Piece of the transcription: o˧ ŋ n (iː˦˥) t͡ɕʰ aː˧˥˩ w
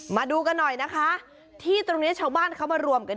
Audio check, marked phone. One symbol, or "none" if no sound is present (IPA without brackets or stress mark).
i˦˥